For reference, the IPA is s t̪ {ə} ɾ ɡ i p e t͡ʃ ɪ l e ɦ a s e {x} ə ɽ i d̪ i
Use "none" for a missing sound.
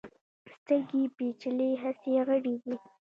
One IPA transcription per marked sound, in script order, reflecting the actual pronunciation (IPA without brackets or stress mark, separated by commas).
ə, ɣ